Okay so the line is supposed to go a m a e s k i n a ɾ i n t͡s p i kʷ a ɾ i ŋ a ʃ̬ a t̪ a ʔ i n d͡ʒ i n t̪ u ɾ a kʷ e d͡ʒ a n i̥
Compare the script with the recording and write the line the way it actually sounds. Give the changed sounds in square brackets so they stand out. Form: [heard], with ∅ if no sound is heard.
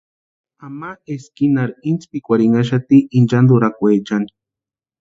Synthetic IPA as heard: a m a e s k i n a ɾ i n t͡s p i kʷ a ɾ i ŋ a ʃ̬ a t̪ [i] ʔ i n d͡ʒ [a] n [d̪] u ɾ a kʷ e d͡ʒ a n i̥